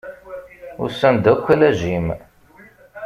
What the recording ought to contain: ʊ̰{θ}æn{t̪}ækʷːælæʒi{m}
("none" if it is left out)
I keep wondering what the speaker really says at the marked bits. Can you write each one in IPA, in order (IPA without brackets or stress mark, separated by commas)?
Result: s, d̪, m